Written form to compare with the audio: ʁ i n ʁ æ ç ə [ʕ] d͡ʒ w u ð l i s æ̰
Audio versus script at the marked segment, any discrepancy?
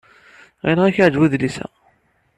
no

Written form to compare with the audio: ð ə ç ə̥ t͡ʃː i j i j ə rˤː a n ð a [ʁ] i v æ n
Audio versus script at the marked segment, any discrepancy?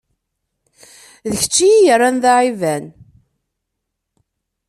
yes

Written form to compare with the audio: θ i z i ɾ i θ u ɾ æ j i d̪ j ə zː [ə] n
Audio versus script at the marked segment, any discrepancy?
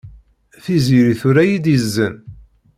no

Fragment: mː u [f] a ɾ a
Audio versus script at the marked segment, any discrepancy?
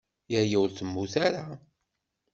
yes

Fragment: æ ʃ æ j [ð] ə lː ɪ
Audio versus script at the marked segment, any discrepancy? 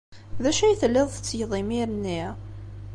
yes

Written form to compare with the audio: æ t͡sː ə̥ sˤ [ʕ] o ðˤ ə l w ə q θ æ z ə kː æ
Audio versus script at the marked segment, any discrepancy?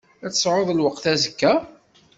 no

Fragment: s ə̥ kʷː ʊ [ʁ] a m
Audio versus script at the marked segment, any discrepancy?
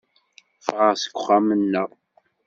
yes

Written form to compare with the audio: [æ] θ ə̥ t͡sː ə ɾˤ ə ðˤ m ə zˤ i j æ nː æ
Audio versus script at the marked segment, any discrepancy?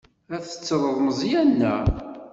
no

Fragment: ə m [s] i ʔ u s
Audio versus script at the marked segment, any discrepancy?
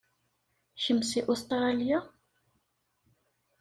no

